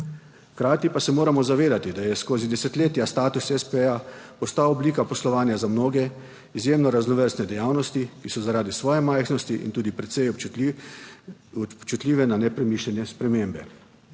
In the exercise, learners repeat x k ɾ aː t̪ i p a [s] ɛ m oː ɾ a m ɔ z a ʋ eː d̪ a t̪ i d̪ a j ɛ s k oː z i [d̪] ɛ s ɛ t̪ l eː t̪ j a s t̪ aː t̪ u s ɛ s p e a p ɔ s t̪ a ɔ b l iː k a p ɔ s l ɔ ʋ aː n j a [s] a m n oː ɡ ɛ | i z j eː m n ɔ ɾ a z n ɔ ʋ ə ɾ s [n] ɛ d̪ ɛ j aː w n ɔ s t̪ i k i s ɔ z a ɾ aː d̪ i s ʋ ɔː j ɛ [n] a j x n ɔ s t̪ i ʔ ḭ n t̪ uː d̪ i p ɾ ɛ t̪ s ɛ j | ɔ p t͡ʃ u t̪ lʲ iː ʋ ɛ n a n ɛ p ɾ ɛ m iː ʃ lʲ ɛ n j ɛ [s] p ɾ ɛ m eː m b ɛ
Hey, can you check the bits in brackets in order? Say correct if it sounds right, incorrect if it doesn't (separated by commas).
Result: correct, correct, incorrect, correct, incorrect, correct